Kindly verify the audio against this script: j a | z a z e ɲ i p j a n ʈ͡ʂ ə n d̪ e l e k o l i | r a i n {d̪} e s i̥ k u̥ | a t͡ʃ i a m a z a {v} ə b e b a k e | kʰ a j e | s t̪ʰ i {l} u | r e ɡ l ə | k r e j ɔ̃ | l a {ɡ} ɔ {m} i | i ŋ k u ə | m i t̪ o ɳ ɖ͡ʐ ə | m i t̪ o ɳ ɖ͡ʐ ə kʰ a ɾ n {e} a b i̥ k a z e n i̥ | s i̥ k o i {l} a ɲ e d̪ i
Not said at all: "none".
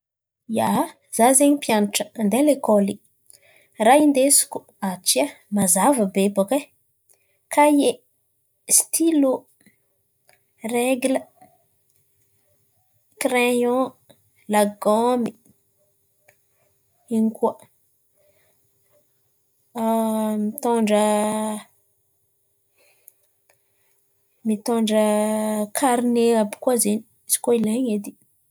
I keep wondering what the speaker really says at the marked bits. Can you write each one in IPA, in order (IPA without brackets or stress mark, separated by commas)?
d̪, v, l, ɡ, m, e, l